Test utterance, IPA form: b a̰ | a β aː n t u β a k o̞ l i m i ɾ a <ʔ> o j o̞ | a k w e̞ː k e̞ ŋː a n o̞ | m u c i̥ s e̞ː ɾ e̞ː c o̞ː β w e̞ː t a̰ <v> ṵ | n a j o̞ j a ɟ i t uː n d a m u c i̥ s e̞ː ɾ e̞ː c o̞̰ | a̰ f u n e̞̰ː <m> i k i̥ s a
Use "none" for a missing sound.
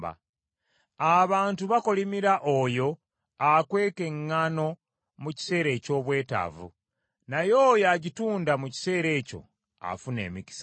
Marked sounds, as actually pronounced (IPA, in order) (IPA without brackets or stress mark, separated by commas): ʔ, v, m